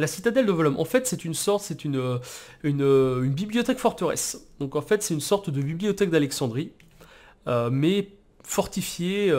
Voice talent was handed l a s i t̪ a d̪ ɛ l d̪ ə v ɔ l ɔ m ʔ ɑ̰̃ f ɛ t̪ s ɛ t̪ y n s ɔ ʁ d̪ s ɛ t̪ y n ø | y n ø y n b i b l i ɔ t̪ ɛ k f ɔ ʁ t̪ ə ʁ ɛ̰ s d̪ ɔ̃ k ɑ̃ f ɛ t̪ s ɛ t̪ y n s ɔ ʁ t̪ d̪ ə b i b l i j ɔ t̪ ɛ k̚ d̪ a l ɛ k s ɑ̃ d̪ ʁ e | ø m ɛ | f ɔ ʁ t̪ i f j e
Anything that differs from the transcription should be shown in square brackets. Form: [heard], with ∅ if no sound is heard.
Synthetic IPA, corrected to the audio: l a s i t̪ a d̪ ɛ l d̪ ə v ɔ l ɔ m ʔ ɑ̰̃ f ɛ t̪ s ɛ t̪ y n s ɔ ʁ [t̪] s ɛ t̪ y n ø | y n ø y n b i b l i ɔ t̪ ɛ k f ɔ ʁ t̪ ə ʁ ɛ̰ s d̪ ɔ̃ k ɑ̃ f ɛ t̪ s ɛ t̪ y n s ɔ ʁ t̪ d̪ ə b i b l i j ɔ t̪ ɛ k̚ d̪ a l ɛ k s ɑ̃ d̪ ʁ [i] | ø m ɛ | f ɔ ʁ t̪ i f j e